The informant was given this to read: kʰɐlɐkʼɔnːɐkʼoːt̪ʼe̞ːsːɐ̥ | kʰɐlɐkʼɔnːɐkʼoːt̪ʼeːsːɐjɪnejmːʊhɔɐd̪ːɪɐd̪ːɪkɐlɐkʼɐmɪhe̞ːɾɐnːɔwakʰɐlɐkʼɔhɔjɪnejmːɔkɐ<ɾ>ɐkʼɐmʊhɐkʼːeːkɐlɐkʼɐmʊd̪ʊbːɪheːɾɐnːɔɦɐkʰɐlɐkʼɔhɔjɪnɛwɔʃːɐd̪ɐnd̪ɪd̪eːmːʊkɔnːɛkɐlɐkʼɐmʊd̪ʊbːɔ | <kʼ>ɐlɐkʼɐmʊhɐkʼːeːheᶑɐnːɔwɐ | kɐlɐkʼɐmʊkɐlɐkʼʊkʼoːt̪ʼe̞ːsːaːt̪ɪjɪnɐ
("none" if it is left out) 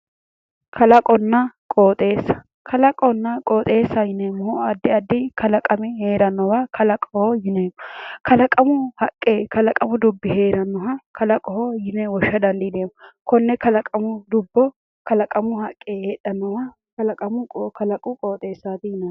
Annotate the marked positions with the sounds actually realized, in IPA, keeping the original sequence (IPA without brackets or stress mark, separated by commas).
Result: l, k